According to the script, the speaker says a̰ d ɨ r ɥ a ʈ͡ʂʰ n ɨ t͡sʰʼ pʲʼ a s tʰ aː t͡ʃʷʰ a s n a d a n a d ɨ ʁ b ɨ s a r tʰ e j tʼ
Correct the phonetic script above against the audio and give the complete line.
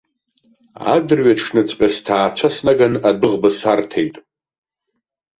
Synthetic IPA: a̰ d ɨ r ɥ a ʈ͡ʂʰ n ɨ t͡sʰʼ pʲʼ a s tʰ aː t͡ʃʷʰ a s n a ɡ a n a d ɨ ʁ b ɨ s a r tʰ e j tʼ